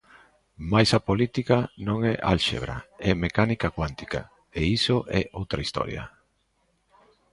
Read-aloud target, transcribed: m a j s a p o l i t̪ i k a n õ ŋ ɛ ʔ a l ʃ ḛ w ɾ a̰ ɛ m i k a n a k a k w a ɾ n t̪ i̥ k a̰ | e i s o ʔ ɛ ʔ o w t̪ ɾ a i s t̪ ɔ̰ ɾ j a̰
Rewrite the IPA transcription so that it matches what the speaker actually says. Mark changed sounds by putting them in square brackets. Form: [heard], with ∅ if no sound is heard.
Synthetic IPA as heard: m a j s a p o l i t̪ i k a n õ ŋ ɛ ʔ a l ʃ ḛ [β] ɾ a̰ ɛ m [e] k a n [i] k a k w a [∅] n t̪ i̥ k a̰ | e i s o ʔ ɛ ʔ o w t̪ ɾ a i s t̪ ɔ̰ ɾ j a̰